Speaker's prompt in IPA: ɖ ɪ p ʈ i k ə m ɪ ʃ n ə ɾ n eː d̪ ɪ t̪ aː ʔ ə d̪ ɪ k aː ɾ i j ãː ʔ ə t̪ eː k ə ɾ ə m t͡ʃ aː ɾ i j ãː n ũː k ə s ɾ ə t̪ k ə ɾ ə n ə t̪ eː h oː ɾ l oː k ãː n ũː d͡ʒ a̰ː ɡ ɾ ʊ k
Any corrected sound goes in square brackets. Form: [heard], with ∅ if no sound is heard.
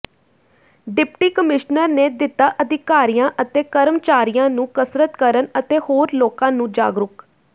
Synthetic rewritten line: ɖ ɪ p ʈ [iː] k ə m ɪ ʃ n ə ɾ n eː d̪ ɪ t̪ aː ʔ ə d̪ ɪ k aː ɾ i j ãː ʔ ə t̪ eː k ə ɾ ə m t͡ʃ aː ɾ i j ãː n ũː k ə s ɾ ə t̪ k ə ɾ ə n ə t̪ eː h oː ɾ l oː k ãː n ũː d͡ʒ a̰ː ɡ ɾ ʊ k